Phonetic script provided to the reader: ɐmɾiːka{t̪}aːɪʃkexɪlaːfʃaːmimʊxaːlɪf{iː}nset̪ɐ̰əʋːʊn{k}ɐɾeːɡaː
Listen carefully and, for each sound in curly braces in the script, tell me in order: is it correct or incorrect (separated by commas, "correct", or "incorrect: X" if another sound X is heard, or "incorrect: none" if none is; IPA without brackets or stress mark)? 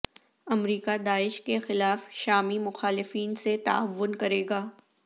incorrect: d̪, correct, correct